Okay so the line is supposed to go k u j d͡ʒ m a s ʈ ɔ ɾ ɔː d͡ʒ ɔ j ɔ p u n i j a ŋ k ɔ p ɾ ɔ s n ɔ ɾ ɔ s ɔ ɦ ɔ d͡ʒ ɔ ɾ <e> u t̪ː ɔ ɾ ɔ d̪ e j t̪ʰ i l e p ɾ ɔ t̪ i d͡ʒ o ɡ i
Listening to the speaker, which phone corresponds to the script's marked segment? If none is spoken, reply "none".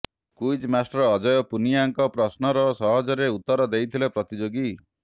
e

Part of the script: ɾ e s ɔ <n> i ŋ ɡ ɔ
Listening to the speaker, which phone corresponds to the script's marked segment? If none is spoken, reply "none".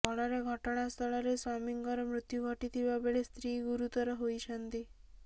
m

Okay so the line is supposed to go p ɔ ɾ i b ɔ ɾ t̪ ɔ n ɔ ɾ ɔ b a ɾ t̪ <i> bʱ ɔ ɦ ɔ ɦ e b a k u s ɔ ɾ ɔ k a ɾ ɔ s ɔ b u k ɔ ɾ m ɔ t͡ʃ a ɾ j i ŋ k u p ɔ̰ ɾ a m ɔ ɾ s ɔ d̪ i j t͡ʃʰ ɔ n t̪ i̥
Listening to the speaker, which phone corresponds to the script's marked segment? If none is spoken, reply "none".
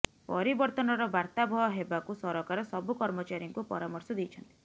a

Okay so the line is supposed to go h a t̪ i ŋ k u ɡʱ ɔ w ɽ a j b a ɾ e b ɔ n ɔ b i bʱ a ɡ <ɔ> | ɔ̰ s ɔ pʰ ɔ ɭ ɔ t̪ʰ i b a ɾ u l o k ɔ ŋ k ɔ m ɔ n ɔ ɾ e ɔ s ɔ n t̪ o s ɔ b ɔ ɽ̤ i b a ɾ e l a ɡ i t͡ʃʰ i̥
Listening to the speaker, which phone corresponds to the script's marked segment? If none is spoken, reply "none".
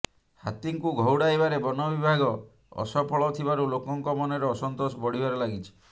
ɔ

